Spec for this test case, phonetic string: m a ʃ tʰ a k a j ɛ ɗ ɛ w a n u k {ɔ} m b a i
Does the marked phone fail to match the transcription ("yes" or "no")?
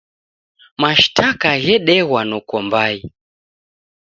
no